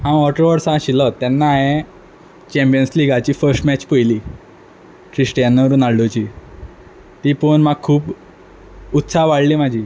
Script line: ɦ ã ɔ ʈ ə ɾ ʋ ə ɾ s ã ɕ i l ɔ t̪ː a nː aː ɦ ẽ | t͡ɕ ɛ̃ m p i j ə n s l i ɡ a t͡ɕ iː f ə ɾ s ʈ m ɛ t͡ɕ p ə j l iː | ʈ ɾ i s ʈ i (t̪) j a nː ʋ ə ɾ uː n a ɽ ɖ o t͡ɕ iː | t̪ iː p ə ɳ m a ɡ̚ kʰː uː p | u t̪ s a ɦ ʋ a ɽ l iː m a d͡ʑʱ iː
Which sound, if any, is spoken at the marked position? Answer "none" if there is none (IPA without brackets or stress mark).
none